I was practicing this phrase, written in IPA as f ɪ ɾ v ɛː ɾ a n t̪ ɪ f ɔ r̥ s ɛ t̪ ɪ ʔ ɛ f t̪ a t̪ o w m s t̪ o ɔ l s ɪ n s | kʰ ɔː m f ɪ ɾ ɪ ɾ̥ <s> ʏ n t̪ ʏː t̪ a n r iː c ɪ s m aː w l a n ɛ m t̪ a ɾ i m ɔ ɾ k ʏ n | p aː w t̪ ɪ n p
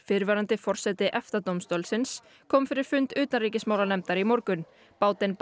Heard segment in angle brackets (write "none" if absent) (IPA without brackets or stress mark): f